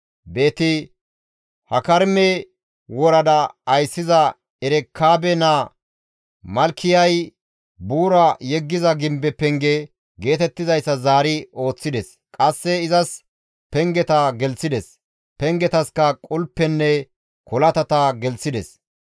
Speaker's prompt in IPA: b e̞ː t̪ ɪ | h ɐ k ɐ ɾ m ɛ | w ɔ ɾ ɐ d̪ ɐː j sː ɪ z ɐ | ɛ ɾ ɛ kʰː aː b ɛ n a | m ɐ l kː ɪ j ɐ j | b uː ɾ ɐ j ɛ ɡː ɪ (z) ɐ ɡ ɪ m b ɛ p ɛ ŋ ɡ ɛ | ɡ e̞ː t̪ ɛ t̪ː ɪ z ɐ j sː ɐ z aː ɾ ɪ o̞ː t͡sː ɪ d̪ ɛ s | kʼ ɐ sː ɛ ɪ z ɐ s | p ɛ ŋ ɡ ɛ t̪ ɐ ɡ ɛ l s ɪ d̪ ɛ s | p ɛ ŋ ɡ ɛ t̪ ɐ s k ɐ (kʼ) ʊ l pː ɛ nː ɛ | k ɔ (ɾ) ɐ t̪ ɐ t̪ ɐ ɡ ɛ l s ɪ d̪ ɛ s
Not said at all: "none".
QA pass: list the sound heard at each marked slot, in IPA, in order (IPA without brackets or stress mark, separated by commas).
z, kʼ, l